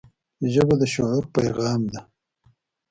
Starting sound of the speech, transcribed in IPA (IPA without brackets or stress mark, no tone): ʒ